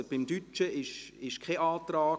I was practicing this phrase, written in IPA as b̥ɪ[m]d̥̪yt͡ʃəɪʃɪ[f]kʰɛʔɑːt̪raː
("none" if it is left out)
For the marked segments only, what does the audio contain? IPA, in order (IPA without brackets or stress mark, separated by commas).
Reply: m, ʃ